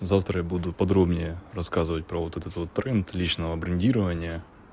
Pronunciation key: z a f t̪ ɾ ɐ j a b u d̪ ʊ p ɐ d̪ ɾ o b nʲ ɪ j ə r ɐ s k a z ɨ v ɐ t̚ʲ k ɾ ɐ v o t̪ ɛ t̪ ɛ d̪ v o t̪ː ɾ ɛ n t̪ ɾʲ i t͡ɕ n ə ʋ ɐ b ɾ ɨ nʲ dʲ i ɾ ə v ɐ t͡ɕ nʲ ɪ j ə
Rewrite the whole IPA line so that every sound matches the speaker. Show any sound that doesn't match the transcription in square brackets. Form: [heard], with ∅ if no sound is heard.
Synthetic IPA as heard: z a f t̪ ɾ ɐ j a b u d̪ ʊ p ɐ d̪ ɾ o b nʲ ɪ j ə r ɐ s k a z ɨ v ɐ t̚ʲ [p] ɾ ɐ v o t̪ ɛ t̪ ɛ [t̪] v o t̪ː ɾ ɛ n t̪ [lʲ] i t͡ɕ n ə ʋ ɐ b ɾ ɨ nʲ dʲ i ɾ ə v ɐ [∅] nʲ ɪ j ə